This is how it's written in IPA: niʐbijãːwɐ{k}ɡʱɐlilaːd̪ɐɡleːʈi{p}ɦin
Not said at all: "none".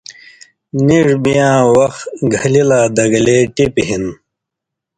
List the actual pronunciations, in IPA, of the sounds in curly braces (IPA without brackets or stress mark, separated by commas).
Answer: x, p